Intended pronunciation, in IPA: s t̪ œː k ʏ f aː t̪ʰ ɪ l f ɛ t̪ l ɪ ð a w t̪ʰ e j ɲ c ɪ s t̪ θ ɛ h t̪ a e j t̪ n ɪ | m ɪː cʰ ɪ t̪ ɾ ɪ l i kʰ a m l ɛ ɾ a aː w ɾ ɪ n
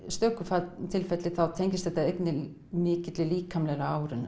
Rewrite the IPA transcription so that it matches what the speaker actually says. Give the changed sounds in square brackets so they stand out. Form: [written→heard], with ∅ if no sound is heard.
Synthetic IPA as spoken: s t̪ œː k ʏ f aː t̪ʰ ɪ l f ɛ t̪ l ɪ [ð→θ] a w t̪ʰ e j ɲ c ɪ s t̪ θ ɛ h t̪ a e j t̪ n ɪ | m ɪː [cʰ→c] ɪ t̪ [ɾ→l] ɪ l [i→iː] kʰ a m l ɛ ɾ a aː w ɾ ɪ n